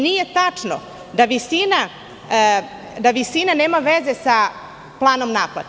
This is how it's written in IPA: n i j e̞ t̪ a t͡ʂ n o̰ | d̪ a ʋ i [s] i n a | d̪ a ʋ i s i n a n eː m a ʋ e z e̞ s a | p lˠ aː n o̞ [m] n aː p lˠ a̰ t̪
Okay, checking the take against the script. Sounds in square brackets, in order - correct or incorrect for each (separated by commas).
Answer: correct, correct